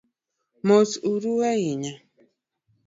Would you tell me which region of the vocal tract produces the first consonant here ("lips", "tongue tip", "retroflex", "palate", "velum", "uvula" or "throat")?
lips